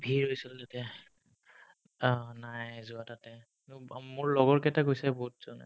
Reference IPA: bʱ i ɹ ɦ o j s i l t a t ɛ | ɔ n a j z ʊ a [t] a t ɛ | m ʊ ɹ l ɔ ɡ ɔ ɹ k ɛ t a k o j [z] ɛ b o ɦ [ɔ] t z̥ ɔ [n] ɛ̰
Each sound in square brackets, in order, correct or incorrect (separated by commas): correct, incorrect, incorrect, correct